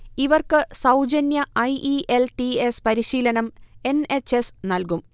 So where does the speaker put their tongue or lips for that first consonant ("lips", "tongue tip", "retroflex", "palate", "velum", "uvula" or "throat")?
lips